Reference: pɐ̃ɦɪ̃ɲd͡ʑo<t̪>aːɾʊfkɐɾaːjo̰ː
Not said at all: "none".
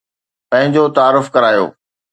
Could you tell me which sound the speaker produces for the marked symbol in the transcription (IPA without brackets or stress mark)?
t̪